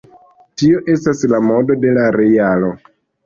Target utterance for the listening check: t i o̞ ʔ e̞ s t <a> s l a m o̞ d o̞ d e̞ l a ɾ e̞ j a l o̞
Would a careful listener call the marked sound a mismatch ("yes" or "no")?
no